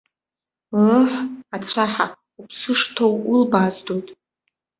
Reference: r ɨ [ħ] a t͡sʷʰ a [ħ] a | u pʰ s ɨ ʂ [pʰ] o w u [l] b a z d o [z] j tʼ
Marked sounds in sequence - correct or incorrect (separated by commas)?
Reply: correct, correct, incorrect, correct, incorrect